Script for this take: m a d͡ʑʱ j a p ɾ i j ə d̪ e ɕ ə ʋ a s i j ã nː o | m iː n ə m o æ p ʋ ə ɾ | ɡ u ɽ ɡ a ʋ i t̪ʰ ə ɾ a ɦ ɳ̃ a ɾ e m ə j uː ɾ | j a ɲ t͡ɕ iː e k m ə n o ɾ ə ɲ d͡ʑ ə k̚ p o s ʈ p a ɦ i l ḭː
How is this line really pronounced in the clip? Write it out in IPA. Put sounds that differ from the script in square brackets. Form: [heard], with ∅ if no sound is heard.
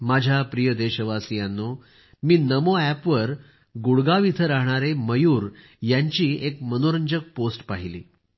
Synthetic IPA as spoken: m a d͡ʑʱ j a p ɾ i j ə d̪ e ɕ ə ʋ a s i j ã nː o | m iː n ə m o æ p ʋ ə ɾ | ɡ u ɽ ɡ a ʋ i t̪ʰ ə ɾ a ɦ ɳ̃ a ɾ e m ə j uː ɾ | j a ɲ t͡ɕ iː e k m ə n o ɾ ə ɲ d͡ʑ ə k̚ p o s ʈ p a ɦ i l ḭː